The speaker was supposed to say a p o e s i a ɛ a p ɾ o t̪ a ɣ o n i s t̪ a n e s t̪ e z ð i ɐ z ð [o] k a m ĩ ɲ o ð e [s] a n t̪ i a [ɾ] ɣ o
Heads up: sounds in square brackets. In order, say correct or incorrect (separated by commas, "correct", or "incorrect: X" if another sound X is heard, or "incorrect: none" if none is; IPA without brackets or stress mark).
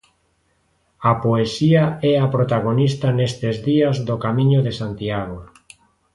correct, correct, incorrect: none